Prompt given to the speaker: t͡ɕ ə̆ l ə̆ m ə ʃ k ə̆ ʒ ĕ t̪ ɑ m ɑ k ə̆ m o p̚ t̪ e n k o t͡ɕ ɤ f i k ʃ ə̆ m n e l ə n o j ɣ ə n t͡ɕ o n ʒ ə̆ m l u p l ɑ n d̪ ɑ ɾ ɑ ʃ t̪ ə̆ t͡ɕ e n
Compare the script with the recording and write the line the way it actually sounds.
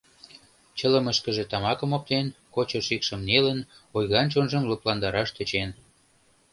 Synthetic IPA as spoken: t͡ɕ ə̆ l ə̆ m ə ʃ k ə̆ ʒ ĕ t̪ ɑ m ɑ k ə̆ m o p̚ t̪ e n k o t͡ɕ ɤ ʃ i k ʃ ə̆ m n e l ə n o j ɣ ɑ n t͡ɕ o n ʒ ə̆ m l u p l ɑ n d̪ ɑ ɾ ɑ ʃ t̪ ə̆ t͡ɕ e n

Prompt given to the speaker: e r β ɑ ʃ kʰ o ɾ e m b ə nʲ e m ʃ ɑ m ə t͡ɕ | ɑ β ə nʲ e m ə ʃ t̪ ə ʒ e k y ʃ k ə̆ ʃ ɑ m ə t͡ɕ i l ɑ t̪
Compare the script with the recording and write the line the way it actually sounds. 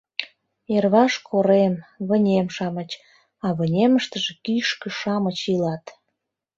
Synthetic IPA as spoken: e r β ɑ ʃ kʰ o ɾ e m β ə nʲ e m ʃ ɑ m ə t͡ɕ | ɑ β ə nʲ e m ə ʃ t̪ ə ʒ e k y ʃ k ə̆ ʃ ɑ m ə t͡ɕ i l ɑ t̪

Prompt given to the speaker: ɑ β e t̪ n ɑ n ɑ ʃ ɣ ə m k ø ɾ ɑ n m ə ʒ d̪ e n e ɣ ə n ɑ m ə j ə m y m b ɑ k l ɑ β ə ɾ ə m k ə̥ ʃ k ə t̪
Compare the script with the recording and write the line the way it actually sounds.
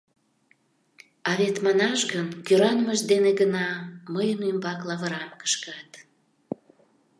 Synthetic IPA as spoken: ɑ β e t̪ m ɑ n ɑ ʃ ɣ ə n k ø ɾ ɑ n m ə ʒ d̪ e n e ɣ ə n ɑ m ə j ə n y m b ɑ k l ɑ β ə ɾ ɑ m k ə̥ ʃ k ɑ t̪

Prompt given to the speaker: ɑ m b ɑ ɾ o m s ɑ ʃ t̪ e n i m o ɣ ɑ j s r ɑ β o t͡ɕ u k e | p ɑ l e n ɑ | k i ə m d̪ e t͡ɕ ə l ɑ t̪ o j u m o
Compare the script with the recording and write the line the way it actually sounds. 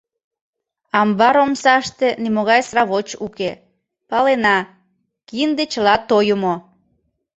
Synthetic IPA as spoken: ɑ m b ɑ ɾ o m s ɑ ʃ t̪ e n i m o ɣ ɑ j s r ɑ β o t͡ɕ u k e | p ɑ l e n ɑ | k i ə n d̪ e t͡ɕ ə l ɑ t̪ o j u m o

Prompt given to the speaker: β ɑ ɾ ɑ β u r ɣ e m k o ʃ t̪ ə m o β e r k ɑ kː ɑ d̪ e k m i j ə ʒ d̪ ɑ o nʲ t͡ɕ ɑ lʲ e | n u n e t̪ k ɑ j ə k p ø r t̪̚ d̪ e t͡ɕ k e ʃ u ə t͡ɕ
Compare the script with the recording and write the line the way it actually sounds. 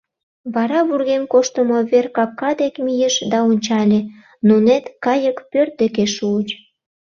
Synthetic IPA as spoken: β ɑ ɾ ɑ β u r ɣ e m k o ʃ t̪ ə m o β e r k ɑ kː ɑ d̪ e k m i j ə ʃ d̪ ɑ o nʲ t͡ɕ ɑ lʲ e | n u n e t̪ k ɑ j ə k p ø r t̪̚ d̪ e k e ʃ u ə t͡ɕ

